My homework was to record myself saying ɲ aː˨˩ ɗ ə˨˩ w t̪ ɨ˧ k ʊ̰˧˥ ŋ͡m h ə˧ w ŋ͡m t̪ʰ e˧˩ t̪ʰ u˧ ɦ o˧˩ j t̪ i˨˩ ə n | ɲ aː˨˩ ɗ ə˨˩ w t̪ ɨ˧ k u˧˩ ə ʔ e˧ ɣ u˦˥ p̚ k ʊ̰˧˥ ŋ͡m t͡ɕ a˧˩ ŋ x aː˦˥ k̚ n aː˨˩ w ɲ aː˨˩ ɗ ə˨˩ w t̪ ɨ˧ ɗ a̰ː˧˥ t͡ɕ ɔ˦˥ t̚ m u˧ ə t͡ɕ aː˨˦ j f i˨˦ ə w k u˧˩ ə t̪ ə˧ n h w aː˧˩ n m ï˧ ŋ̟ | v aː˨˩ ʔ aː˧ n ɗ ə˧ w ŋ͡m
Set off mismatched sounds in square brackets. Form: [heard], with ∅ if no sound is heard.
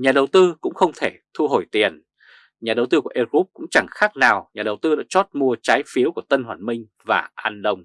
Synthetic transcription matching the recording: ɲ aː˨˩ ɗ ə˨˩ w t̪ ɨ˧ k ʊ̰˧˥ ŋ͡m [x] ə˧ w ŋ͡m t̪ʰ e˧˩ t̪ʰ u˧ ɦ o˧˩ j t̪ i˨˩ ə n | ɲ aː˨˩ ɗ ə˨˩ w t̪ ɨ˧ k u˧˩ ə ʔ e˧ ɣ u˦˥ p̚ k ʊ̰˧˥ ŋ͡m t͡ɕ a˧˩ ŋ x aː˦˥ k̚ n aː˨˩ w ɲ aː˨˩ ɗ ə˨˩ w t̪ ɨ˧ ɗ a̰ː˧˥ t͡ɕ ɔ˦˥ t̚ m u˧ ə t͡ɕ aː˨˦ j f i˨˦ ə w k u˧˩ ə t̪ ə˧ n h w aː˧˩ n m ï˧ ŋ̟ | v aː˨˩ ʔ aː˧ n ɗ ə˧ w ŋ͡m